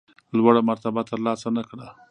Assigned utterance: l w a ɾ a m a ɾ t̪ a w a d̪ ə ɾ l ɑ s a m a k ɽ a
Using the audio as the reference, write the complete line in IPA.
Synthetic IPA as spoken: l w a ɽ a m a ɾ t̪ a b a t̪ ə ɾ l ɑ s a n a k ɽ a